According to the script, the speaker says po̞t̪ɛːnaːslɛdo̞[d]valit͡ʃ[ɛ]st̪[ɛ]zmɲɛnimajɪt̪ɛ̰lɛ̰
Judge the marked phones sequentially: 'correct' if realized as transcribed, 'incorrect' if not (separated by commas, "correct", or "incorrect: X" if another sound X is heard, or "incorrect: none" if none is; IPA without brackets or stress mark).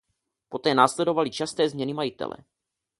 incorrect: none, incorrect: a, incorrect: ɛː